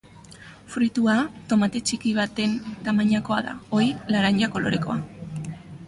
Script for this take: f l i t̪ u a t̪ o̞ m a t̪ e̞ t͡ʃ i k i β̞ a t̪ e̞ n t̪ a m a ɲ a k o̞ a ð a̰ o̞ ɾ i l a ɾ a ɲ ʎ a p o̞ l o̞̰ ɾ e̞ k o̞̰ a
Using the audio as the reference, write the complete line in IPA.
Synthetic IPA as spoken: f ɾ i t̪ u a t̪ o̞ m a t̪ e̞ t͡ʃ i k i β̞ a t̪ e̞ n t̪ a m a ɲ a k o̞ a ð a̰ o̞ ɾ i l a ɾ a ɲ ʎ a k o̞ l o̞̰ ɾ e̞ k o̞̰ a